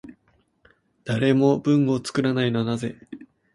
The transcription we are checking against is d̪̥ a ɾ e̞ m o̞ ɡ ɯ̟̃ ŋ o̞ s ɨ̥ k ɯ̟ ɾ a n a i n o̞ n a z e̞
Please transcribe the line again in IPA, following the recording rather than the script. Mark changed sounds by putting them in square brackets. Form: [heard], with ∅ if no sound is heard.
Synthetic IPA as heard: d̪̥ a ɾ e̞ m o̞ [b] ɯ̟̃ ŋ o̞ [t͡s] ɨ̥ k ɯ̟ ɾ a n a i n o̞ n a z e̞